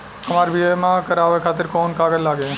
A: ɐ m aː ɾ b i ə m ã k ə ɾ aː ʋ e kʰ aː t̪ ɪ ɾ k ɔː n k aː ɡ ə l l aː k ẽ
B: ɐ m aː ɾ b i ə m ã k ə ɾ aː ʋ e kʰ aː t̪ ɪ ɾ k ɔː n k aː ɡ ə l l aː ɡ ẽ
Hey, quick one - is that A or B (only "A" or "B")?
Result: B